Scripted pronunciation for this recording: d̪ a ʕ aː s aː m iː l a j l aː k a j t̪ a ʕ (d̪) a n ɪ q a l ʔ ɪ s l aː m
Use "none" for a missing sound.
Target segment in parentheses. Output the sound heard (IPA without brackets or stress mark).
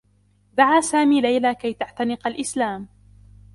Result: t̪